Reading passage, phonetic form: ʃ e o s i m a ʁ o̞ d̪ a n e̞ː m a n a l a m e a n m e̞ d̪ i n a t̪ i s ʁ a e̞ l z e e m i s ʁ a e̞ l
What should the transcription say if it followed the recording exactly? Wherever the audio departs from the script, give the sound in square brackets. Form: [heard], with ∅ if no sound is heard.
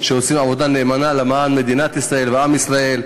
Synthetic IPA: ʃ e o s i m a [v] o̞ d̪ a n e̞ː m a n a l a m [a] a n m e̞ d̪ i n a t̪ i s ʁ a e̞ l [v] e [a] m i s ʁ a e̞ l